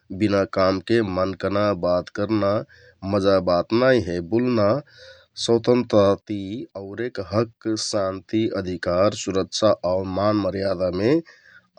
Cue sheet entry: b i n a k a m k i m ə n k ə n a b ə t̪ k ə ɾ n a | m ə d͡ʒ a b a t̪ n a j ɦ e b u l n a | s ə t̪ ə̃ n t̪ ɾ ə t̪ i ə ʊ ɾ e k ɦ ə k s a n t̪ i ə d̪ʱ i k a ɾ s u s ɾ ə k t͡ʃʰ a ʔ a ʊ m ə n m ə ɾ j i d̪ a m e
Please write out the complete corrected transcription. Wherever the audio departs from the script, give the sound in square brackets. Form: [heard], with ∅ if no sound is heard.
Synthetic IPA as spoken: b i n a k a m k [e] m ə n k ə n a b [a] t̪ k ə ɾ n a | m ə d͡ʒ a b a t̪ n a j ɦ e b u l n a | s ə t̪ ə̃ n t̪ ɾ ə t̪ i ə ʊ ɾ e k ɦ ə k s a n t̪ i ə d̪ʱ i k a ɾ s u [∅] ɾ ə k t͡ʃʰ a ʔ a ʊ m [a] n m ə ɾ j [a] d̪ a m e